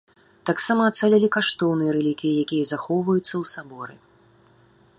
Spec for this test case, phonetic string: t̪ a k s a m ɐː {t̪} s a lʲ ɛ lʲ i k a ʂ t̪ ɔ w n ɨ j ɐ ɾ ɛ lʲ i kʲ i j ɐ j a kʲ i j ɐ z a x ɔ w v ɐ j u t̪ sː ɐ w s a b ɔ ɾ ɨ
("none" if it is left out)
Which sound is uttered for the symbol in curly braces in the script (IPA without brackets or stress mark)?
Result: t̪